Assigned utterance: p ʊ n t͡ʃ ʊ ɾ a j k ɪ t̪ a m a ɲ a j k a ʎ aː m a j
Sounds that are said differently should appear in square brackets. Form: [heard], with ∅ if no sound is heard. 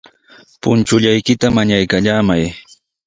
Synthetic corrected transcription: p ʊ n t͡ʃ ʊ [ʎ] a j k ɪ t̪ a m a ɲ a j k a ʎ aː m a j